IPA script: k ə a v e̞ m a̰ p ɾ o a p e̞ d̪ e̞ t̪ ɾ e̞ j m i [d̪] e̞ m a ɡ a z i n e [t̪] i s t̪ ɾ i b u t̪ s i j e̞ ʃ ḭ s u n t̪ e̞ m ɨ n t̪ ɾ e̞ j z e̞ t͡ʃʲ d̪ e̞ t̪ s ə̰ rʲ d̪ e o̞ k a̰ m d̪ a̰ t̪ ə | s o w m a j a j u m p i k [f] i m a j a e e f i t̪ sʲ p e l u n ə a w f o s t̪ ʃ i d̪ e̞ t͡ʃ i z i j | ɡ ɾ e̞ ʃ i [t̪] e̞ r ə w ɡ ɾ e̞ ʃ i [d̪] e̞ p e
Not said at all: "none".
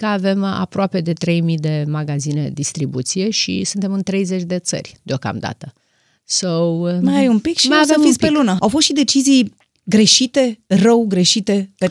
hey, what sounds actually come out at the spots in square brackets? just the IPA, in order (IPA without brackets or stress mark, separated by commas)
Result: d̪, d̪, ʃ, t̪, t̪